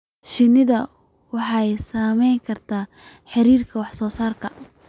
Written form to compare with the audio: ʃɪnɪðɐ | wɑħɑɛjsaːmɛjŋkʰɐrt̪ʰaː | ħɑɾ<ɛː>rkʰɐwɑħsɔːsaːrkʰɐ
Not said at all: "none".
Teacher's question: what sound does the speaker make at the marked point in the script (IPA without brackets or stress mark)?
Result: iː